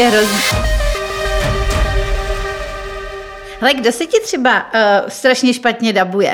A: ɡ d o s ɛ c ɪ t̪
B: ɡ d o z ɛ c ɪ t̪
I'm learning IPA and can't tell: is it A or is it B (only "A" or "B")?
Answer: A